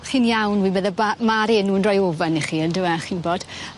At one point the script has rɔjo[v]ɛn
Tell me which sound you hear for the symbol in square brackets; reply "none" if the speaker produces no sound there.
v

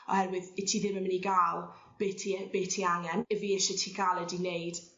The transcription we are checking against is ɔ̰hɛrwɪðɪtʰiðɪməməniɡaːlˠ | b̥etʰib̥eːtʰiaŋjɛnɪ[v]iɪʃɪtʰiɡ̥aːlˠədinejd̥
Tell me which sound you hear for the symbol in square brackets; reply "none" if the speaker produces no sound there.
v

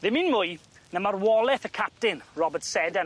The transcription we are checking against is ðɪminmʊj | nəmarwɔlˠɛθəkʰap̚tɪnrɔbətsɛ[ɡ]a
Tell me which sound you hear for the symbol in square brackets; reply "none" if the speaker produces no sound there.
d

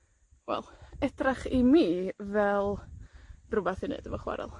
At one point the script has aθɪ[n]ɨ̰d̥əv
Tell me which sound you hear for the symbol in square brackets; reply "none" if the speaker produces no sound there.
n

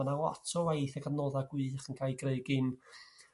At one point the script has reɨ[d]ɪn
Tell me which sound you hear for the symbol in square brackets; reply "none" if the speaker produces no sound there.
ɡ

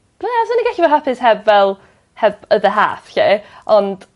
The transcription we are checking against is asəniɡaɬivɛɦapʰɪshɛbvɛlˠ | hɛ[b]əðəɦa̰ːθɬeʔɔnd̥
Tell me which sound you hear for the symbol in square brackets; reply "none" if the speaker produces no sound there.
b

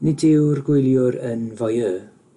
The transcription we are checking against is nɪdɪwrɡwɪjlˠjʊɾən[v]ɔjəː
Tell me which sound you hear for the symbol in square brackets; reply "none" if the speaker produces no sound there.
v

